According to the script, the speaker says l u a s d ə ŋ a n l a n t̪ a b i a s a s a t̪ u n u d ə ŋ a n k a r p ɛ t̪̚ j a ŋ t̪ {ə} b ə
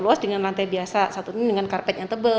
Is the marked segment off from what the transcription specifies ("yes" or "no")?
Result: no